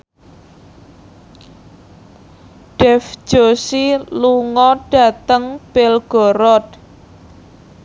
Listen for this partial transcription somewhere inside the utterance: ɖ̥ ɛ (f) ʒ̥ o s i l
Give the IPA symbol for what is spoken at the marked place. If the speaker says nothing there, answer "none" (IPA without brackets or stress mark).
f